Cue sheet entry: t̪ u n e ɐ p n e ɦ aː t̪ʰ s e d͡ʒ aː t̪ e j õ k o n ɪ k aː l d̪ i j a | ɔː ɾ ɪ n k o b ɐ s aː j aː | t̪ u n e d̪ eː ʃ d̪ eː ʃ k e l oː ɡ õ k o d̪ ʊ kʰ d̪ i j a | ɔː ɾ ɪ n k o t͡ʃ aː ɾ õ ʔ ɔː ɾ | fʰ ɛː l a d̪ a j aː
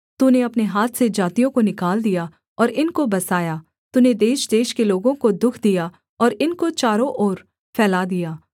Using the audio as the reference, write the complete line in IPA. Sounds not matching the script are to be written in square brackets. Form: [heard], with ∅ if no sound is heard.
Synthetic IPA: t̪ u n e ɐ p n e ɦ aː t̪ʰ s e d͡ʒ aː t̪ [i] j õ k o n ɪ k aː l d̪ i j a | ɔː ɾ ɪ n k o b ɐ s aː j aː | t̪ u n e d̪ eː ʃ d̪ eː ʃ k e l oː ɡ õ k o d̪ ʊ kʰ d̪ i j a | ɔː ɾ ɪ n k o t͡ʃ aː ɾ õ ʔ ɔː ɾ | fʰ ɛː l a d̪ [i] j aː